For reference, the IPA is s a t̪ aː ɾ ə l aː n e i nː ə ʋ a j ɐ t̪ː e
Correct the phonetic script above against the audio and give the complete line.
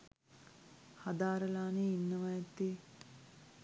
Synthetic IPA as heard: h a d̪ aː ɾ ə l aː n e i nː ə ʋ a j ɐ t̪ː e